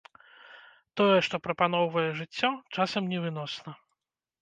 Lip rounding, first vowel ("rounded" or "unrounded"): rounded